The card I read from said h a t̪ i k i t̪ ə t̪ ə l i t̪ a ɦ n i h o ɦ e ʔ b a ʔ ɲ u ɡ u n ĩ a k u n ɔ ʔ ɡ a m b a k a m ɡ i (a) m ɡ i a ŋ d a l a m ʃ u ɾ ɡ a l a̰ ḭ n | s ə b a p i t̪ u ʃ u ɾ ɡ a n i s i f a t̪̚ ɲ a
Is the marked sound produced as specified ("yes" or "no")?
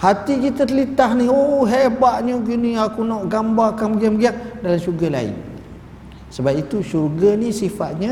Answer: yes